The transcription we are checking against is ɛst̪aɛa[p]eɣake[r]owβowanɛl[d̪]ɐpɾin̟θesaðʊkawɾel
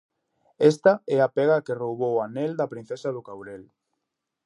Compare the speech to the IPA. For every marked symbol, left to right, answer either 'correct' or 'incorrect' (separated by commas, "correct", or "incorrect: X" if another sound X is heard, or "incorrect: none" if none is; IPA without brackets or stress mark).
correct, correct, correct